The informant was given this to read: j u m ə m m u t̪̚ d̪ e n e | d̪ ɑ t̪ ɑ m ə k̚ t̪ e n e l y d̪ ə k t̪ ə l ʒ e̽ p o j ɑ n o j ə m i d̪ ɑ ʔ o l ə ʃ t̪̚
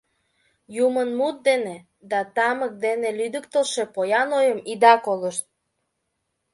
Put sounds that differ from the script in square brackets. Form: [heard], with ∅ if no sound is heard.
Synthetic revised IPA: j u m ə [n] m u t̪̚ d̪ e n e | d̪ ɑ t̪ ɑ m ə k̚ [d̪] e n e l y d̪ ə k t̪ ə l [ʃ] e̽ p o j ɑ n o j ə m i d̪ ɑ [k] o l ə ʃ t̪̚